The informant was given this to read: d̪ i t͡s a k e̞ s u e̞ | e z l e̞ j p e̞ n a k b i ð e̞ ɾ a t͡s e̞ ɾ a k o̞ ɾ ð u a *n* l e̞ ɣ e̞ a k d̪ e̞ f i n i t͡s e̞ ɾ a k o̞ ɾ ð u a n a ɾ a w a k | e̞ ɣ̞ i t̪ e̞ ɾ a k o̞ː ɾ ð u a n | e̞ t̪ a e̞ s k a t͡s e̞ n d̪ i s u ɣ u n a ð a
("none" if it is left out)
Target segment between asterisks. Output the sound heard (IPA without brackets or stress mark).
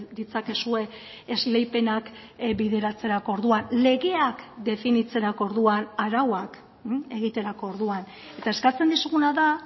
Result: n